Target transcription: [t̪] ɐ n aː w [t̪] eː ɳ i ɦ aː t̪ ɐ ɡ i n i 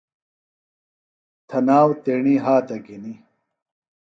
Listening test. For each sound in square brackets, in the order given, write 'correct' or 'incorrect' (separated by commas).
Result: incorrect, correct